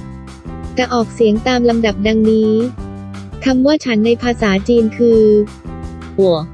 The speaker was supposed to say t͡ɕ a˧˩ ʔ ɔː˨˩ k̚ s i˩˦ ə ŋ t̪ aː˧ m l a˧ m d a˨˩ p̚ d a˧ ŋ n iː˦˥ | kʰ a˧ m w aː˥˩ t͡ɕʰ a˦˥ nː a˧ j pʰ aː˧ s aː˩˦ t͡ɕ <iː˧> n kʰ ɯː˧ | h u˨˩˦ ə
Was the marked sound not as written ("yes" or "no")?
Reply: no